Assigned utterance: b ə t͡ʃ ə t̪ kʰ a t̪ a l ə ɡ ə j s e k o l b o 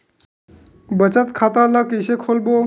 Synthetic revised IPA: b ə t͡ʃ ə t̪ kʰ a t̪ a l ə k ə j s e kʰ o l b o